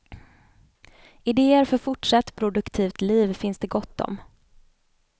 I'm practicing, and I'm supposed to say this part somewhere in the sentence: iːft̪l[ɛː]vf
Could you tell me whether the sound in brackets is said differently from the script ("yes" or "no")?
yes